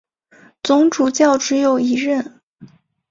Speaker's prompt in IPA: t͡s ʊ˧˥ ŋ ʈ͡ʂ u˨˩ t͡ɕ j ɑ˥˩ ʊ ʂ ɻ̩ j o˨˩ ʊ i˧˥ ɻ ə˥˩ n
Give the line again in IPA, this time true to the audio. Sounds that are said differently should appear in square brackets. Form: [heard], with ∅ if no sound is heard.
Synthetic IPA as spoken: t͡s ʊ˧˥ ŋ ʈ͡ʂ u˨˩ t͡ɕ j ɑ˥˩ ʊ [ʈ͡ʂ] ɻ̩ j o˨˩ ʊ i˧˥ ɻ ə˥˩ n